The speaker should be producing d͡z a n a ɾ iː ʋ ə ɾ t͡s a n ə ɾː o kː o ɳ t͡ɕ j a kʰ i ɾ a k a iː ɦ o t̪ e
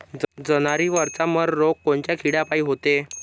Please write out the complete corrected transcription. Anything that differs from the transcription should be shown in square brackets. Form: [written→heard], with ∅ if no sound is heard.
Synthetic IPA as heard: d͡z [a→ə] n a ɾ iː ʋ ə ɾ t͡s a [n→m] ə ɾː o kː o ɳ t͡ɕ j a kʰ i [ɾ→ɽ] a [k→p] a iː ɦ o t̪ e